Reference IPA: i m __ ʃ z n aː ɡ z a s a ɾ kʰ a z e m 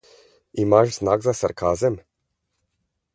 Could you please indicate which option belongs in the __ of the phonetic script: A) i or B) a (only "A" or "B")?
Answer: B